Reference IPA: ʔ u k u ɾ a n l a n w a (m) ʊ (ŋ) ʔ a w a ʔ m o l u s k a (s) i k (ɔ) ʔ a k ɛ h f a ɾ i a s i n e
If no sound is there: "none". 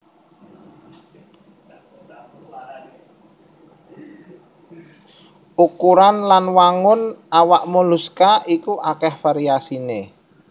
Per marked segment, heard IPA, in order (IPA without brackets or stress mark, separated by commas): ŋ, n, none, u